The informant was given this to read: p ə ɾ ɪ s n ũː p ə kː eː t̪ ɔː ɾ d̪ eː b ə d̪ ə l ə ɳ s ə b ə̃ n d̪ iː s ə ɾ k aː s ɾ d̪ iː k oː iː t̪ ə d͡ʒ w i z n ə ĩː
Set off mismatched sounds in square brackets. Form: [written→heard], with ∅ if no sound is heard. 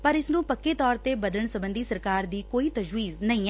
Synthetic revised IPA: p ə ɾ ɪ s n ũː p ə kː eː t̪ ɔː ɾ [d̪→t̪] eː b ə d̪ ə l ə ɳ s ə b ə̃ n d̪ iː s ə ɾ k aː [s→∅] ɾ d̪ iː k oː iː t̪ ə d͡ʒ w [i→iː] z n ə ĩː

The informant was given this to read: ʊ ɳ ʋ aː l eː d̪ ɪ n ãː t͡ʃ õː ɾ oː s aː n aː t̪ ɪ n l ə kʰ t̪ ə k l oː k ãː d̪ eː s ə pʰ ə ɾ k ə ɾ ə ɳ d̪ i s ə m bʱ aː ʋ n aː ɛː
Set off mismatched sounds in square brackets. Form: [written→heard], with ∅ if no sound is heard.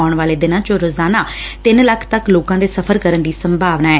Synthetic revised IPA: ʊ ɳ ʋ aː l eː d̪ ɪ n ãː t͡ʃ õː ɾ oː [s→z] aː n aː t̪ ɪ n l ə kʰ t̪ ə k l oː k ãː d̪ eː s ə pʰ ə ɾ k ə ɾ ə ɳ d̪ [i→iː] s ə m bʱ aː ʋ n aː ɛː

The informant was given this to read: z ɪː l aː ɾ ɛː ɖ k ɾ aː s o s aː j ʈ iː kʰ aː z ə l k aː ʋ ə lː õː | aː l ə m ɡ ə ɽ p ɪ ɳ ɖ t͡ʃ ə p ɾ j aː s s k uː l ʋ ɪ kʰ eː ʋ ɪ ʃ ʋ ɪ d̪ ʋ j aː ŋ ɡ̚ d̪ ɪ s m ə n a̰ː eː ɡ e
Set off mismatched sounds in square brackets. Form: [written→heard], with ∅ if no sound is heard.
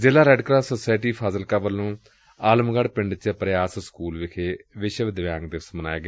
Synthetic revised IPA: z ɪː l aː ɾ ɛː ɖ k ɾ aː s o s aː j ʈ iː [kʰ→pʰ] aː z ə l k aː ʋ ə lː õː | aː l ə m ɡ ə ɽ p ɪ ɳ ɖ t͡ʃ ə p ɾ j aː s s k uː l ʋ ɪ kʰ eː ʋ ɪ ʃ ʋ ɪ d̪ ʋ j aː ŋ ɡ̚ d̪ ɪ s m ə n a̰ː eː ɡ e

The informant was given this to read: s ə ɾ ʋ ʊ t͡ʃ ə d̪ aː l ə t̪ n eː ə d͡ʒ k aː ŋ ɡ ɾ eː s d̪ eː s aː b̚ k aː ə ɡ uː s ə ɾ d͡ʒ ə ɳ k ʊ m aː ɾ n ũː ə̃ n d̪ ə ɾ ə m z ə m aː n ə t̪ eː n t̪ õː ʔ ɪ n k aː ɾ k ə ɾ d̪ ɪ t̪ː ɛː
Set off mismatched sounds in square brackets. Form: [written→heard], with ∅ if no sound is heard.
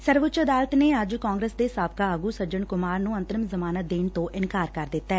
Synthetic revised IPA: s ə ɾ ʋ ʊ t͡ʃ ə d̪ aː l ə t̪ n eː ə d͡ʒ k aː ŋ ɡ ɾ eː s d̪ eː s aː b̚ k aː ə ɡ uː s ə ɾ d͡ʒ ə ɳ k ʊ m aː ɾ n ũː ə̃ n [d̪→t̪] ə ɾ ə m z ə m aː n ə [t̪→d̪] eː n t̪ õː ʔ ɪ n k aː ɾ k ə ɾ d̪ ɪ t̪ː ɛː

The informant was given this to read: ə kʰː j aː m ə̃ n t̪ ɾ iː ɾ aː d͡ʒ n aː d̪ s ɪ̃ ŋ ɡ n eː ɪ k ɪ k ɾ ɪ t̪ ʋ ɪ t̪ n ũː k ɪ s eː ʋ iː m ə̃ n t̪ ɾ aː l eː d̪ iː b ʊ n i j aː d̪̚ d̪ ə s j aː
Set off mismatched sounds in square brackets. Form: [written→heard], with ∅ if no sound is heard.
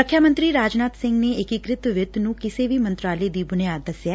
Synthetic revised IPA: ə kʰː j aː m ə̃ n t̪ ɾ iː ɾ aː d͡ʒ n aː [d̪→t̪] s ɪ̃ ŋ ɡ n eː ɪ k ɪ k ɾ ɪ t̪ ʋ ɪ t̪ n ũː k ɪ s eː ʋ iː m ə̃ n t̪ ɾ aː l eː d̪ iː b ʊ n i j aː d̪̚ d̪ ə s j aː

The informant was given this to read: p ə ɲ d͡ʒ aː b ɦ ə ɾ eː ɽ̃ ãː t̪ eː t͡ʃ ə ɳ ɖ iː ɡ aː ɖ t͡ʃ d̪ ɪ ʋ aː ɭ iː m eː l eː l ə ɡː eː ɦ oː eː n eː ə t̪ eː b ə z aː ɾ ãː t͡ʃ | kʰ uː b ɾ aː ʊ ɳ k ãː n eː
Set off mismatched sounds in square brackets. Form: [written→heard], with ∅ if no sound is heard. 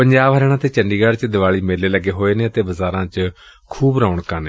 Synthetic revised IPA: p ə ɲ d͡ʒ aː b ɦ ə ɾ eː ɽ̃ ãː t̪ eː t͡ʃ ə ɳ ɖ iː ɡ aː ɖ t͡ʃ d̪ ɪ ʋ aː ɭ iː m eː l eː l ə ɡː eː ɦ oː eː n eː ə t̪ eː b ə z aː ɾ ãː t͡ʃ | kʰ uː b ɾ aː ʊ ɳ k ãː n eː

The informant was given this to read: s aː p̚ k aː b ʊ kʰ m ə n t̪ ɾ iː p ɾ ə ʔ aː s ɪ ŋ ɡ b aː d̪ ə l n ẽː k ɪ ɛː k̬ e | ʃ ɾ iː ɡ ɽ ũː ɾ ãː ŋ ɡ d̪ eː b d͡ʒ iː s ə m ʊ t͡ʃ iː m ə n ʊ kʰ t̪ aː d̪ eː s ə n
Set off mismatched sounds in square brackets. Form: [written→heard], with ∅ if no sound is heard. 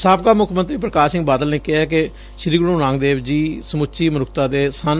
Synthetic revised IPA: s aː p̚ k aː [b→m] ʊ kʰ m ə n t̪ ɾ iː p ɾ ə [ʔ→k] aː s ɪ ŋ ɡ b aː d̪ ə l n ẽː k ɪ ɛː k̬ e | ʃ ɾ iː ɡ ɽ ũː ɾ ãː ŋ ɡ d̪ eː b d͡ʒ iː s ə m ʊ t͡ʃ iː m ə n ʊ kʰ t̪ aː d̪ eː s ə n

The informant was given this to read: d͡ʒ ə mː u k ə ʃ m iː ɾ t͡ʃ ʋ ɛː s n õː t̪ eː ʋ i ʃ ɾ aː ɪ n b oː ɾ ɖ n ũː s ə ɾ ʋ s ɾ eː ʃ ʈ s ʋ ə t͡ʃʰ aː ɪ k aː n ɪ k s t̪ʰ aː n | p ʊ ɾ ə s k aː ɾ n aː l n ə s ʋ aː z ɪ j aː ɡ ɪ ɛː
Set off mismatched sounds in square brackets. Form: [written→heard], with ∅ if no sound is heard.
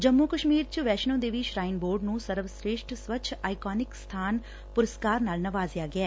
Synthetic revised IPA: d͡ʒ ə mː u k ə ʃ m iː ɾ t͡ʃ ʋ ɛː [s→ʃ] n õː [t̪→d̪] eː ʋ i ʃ ɾ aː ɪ n b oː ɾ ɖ n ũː s ə ɾ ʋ s ɾ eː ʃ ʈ s ʋ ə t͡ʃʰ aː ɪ k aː n ɪ k s t̪ʰ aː n | p ʊ ɾ ə s k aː ɾ n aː l n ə [s→∅] ʋ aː z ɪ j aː ɡ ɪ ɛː

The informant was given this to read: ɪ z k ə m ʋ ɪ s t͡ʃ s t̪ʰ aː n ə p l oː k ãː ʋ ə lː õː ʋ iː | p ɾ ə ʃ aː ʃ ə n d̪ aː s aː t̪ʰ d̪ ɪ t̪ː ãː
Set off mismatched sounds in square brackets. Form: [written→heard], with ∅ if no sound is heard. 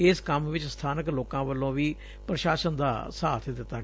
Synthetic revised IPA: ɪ [z→s] k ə m ʋ ɪ [s→∅] t͡ʃ s t̪ʰ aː n ə [p→k] l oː k ãː ʋ ə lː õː ʋ iː | p ɾ ə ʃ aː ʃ ə n d̪ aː s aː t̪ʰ d̪ ɪ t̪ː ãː

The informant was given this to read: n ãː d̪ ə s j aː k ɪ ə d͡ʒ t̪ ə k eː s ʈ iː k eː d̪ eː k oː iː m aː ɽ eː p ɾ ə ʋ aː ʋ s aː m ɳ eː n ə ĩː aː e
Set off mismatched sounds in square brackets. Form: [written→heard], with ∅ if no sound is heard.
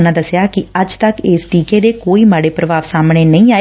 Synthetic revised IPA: n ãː d̪ ə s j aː k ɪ ə d͡ʒ t̪ ə k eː s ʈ iː k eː d̪ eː k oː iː m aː ɽ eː p ɾ ə ʋ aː ʋ s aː m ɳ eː n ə ĩː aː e

